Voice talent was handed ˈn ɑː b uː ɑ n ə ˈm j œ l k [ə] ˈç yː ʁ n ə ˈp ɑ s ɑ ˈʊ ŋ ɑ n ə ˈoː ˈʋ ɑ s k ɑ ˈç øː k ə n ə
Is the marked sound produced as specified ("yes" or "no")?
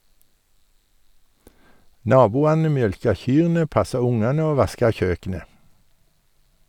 no